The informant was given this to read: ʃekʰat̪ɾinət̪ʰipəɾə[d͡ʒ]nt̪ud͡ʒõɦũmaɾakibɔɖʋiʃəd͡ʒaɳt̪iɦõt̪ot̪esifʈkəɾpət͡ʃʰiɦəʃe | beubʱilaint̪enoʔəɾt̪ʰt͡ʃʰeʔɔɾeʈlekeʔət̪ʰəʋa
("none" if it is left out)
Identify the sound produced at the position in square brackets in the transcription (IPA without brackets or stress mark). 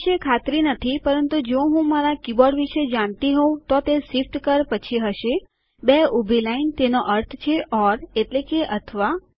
none